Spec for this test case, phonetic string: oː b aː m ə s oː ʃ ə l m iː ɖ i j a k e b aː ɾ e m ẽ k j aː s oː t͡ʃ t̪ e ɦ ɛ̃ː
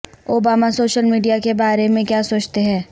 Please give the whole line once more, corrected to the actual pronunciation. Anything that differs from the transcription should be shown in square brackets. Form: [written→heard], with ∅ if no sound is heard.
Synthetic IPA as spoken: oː b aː m [ə→a] s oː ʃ ə l m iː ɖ i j a k e b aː ɾ e m ẽ k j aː s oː t͡ʃ t̪ e ɦ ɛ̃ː